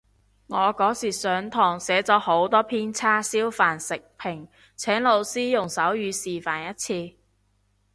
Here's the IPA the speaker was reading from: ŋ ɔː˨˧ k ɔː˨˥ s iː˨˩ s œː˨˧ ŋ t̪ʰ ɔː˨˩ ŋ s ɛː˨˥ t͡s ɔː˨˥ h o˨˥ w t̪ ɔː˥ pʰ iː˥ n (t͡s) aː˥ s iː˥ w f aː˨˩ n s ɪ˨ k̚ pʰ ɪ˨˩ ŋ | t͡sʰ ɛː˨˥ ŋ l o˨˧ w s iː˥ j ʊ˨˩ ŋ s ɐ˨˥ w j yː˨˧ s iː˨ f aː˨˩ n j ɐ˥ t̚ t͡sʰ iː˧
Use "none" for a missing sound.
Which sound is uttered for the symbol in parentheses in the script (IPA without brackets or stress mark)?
t͡sʰ